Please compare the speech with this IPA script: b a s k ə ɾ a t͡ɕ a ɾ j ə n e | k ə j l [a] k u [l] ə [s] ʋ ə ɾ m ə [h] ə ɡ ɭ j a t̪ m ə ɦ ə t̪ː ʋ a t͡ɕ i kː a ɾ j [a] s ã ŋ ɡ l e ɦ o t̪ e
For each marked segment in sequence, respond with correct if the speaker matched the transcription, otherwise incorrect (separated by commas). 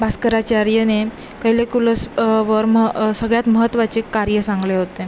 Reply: incorrect, correct, correct, incorrect, incorrect